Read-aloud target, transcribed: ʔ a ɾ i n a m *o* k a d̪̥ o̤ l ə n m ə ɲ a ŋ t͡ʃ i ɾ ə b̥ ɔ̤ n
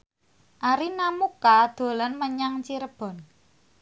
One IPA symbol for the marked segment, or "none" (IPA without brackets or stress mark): u